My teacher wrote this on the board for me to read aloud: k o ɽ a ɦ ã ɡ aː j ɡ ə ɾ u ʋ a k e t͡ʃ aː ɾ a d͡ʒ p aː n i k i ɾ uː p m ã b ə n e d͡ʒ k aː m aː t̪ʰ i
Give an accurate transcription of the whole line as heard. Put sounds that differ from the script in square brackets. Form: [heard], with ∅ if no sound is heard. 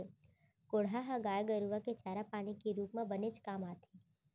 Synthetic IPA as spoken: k o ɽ a ɦ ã ɡ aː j ɡ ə ɾ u ʋ a k e t͡ʃ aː ɾ a [∅] p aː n i k i ɾ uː p m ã b ə n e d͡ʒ k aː m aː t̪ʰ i